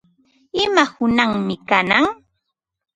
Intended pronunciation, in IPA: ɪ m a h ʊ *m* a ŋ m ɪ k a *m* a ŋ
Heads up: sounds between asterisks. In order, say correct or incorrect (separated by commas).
incorrect, incorrect